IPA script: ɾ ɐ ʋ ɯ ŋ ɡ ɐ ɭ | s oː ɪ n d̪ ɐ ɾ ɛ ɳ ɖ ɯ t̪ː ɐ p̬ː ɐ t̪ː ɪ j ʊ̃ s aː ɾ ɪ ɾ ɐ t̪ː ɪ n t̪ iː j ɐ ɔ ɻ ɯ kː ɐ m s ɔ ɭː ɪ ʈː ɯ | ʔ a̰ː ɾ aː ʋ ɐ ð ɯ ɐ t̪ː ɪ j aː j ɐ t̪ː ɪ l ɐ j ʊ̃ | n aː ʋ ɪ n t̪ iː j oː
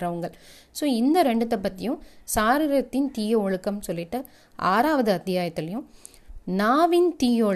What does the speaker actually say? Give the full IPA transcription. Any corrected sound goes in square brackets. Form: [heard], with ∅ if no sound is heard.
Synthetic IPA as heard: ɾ ɐ ʋ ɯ ŋ ɡ ɐ ɭ | s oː ɪ n d̪ ɐ ɾ ɛ ɳ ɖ ɯ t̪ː ɐ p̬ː ɐ t̪ː ɪ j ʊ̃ s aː ɾ ɪ ɾ ɐ t̪ː ɪ n t̪ iː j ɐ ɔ ɻ ɯ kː ɐ m s ɔ [lː] ɪ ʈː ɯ | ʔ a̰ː ɾ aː ʋ ɐ ð ɯ ɐ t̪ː ɪ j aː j ɐ t̪ː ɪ l ɐ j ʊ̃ | n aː ʋ ɪ n t̪ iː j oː